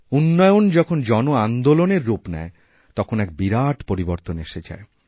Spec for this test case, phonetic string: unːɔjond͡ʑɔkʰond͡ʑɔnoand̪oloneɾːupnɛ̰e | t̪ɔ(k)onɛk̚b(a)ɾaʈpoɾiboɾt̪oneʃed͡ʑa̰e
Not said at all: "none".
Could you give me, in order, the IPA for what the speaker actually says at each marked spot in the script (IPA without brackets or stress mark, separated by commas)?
kʰ, i